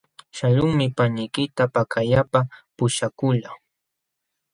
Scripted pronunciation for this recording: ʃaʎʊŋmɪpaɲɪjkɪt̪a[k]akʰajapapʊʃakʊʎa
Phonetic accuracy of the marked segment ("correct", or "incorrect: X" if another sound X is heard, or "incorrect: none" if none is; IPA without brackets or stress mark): incorrect: p